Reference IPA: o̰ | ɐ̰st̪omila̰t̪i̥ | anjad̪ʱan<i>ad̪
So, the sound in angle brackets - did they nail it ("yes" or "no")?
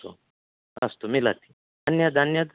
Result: no